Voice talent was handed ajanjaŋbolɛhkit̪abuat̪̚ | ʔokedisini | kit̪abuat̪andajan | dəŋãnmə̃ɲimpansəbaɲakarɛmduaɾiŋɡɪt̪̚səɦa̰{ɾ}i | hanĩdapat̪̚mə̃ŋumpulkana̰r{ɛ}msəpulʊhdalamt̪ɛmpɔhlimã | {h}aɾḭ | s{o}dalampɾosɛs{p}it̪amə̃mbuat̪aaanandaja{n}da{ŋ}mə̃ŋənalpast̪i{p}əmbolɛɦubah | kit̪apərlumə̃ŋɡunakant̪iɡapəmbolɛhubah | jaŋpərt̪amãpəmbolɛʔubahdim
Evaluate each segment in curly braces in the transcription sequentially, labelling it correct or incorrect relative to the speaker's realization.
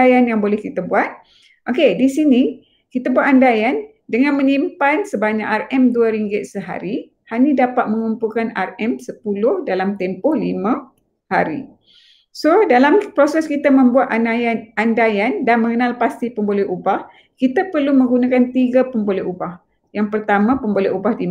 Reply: correct, correct, correct, correct, incorrect, correct, incorrect, correct

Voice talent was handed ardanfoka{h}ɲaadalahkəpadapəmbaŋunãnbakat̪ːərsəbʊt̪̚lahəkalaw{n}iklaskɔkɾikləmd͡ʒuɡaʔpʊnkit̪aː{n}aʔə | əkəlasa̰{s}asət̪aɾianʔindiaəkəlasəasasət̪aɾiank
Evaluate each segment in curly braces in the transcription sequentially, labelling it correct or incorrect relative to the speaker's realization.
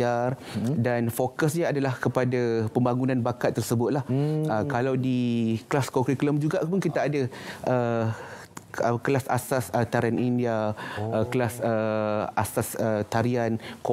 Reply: incorrect, incorrect, incorrect, correct

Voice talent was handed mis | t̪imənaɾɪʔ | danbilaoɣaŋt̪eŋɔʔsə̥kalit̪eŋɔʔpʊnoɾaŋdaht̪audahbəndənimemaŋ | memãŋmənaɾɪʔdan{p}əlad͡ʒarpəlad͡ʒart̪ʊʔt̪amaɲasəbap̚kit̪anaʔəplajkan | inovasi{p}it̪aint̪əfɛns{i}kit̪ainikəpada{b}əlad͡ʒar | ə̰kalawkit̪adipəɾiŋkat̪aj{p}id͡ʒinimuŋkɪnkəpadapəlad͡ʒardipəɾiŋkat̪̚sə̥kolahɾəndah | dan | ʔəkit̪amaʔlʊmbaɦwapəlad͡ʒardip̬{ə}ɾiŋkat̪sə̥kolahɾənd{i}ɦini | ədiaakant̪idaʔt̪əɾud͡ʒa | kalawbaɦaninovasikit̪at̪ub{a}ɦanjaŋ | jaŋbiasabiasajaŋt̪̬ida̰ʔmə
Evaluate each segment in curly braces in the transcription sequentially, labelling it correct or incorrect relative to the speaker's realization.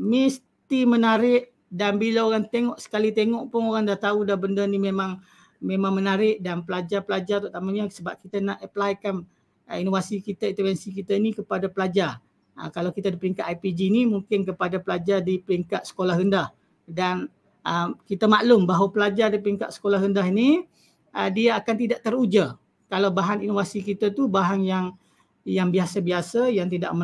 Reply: correct, incorrect, correct, incorrect, correct, correct, incorrect, correct

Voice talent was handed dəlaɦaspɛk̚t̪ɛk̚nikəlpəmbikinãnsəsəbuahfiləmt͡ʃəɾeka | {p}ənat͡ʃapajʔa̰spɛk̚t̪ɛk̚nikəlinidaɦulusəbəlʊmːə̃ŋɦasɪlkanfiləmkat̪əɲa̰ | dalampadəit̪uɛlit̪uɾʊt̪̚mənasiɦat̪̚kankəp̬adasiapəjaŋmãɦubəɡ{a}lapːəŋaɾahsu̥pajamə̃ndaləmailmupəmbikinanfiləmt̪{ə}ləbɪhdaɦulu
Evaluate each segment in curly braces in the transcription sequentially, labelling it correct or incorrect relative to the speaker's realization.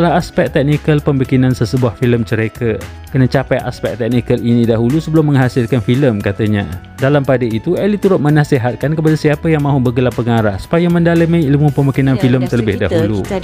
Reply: incorrect, incorrect, correct

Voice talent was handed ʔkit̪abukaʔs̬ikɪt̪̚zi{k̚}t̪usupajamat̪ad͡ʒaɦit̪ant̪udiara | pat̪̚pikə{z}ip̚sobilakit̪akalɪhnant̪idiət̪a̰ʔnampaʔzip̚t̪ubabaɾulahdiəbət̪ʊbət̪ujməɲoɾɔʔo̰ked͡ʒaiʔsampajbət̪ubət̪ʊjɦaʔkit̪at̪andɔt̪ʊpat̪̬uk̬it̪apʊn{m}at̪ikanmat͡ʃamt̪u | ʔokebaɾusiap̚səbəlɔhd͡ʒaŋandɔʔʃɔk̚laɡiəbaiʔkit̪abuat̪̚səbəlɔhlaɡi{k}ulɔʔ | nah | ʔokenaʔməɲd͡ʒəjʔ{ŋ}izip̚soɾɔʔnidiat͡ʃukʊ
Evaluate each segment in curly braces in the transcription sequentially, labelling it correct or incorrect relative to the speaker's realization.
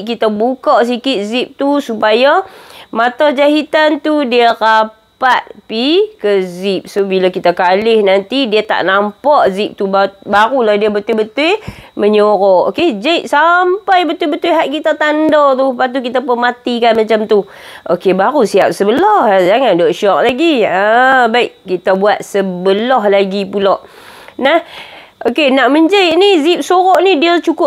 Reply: incorrect, correct, correct, incorrect, incorrect

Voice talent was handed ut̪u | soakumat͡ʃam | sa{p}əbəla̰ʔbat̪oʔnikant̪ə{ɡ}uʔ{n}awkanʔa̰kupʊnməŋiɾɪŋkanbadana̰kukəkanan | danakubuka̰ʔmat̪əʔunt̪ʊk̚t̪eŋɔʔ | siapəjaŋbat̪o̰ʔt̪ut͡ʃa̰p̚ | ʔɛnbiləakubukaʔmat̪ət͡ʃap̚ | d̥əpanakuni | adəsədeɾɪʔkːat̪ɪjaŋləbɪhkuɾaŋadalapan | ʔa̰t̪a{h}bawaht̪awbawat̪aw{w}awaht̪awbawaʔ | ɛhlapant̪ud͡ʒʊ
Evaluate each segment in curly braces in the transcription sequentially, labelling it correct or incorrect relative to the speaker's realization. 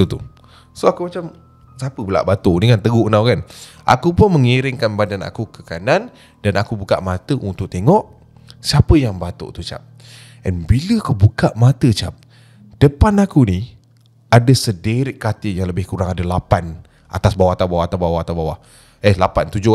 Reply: correct, correct, correct, incorrect, incorrect

